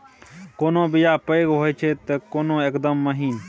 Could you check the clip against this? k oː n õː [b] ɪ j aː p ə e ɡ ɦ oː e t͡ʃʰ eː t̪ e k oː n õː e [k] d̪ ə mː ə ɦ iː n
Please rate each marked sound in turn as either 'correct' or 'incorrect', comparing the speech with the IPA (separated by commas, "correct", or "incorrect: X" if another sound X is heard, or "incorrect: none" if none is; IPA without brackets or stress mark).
correct, correct